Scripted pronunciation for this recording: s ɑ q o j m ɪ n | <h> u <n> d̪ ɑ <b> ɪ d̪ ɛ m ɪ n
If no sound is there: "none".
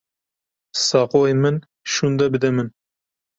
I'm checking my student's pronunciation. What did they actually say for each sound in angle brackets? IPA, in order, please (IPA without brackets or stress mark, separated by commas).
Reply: ʃ, n, b